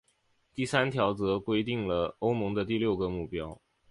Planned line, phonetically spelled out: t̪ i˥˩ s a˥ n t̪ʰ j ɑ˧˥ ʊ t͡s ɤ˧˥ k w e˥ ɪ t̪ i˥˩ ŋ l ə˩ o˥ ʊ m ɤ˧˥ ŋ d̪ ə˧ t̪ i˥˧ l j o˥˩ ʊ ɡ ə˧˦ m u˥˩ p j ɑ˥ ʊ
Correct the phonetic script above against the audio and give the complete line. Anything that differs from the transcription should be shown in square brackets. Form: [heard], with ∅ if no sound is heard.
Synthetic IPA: t̪ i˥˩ s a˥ n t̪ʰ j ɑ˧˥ ʊ t͡s ɤ˧˥ k w e˥ ɪ t̪ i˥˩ ŋ l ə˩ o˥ ʊ m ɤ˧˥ ŋ d̪ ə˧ t̪ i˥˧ l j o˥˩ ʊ ɡ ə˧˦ m u˥˩ p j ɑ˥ ʊ